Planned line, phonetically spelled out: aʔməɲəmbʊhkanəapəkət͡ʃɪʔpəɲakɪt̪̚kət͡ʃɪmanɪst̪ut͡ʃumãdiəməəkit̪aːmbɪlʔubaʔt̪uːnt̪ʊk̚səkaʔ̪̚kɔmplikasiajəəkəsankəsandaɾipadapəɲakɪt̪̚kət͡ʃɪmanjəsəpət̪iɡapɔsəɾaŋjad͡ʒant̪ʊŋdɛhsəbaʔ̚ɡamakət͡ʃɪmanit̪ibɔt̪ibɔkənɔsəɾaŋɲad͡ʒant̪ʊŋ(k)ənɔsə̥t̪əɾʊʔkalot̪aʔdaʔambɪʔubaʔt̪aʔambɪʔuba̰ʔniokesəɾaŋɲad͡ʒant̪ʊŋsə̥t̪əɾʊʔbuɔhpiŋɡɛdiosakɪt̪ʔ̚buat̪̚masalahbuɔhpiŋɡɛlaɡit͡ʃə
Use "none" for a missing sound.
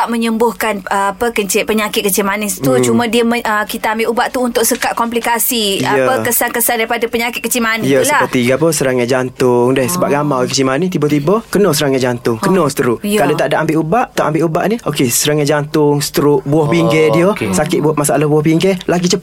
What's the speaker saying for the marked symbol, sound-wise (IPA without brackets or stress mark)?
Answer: k